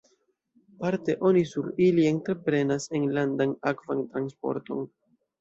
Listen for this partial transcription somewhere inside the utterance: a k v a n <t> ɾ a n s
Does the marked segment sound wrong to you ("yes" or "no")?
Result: no